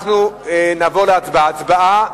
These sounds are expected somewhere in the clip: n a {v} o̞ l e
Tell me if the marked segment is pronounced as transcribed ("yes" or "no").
yes